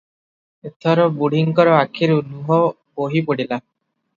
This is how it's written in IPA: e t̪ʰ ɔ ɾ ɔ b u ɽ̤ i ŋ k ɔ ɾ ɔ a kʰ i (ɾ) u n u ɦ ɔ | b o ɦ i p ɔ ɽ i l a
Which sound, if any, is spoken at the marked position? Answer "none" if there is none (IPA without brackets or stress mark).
ɾ